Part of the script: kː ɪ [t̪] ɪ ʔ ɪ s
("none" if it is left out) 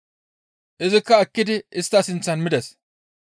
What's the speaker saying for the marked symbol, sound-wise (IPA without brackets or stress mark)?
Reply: d̪